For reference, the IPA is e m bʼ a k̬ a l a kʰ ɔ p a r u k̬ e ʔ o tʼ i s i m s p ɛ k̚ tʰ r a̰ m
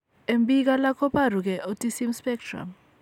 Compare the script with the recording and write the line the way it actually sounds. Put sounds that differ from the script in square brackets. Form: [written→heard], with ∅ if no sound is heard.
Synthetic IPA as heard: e m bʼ [a→i] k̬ a l a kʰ ɔ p a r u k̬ [e→ɛ] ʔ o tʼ i s i m s p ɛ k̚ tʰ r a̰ m